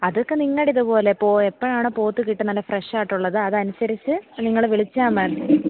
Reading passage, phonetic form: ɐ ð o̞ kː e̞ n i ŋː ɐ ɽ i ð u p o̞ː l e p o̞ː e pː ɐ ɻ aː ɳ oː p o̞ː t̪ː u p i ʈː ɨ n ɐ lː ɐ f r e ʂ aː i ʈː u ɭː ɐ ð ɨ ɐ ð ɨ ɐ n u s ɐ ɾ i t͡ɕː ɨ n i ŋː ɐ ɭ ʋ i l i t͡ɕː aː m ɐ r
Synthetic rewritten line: ɐ ð o̞ kː e̞ n i ŋː ɐ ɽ i ð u p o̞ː l e p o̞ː e pː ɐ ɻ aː ɳ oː p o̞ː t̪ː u k i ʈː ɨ n ɐ lː ɐ f r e ʂ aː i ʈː u ɭː ɐ ð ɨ ɐ ð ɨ ɐ n u s ɐ ɾ i t͡ɕː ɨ n i ŋː ɐ ɭ ʋ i ɭ i t͡ɕː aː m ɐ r